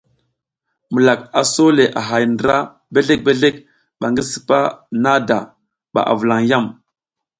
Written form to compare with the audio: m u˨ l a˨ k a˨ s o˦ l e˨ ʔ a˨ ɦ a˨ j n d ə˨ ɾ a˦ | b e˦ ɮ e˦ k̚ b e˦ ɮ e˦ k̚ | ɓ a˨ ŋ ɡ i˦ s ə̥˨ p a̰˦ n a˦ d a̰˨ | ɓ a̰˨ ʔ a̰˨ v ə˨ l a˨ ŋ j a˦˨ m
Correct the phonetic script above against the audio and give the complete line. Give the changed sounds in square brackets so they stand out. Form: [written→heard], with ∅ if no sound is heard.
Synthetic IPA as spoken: m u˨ l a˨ k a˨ s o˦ l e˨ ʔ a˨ ɦ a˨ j n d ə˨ ɾ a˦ | b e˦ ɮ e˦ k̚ b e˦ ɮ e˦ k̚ | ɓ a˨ ŋ ɡ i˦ s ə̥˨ p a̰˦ n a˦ d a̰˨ | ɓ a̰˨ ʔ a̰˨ v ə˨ l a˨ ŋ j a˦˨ m

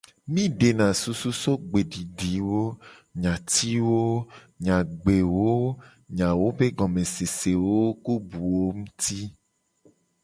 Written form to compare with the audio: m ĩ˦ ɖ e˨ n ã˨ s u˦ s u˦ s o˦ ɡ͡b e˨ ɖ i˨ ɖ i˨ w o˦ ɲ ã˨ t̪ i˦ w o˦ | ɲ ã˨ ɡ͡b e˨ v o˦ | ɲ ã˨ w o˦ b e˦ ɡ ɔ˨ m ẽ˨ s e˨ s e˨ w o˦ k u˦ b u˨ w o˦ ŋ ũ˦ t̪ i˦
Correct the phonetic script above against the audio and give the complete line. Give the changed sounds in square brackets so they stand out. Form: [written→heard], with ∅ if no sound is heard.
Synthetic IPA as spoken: m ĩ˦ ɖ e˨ n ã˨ s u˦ s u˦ s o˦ ɡ͡b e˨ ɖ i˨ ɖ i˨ w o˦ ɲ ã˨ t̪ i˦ w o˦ | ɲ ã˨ ɡ͡b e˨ [v→w] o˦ | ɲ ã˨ w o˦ b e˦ ɡ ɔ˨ m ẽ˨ s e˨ s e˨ w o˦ k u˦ b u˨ w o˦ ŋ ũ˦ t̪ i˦

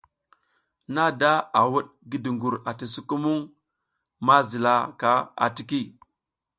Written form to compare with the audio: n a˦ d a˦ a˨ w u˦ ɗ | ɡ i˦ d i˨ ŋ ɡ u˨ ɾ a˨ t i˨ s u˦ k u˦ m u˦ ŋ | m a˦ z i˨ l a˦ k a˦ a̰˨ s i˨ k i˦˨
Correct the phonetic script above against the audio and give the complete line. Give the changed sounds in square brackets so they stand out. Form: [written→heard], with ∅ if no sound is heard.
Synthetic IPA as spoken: n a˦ d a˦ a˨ w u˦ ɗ | ɡ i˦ d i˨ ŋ ɡ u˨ ɾ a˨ t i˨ s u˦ k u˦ m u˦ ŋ | m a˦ z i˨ l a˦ k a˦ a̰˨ [s→t] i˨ k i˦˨

